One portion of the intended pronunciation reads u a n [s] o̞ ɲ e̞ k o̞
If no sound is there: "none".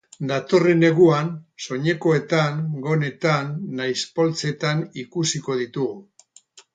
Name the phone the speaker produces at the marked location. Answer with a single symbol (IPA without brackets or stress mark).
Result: s